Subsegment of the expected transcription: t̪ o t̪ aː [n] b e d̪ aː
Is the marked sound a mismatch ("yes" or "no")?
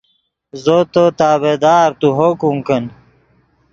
yes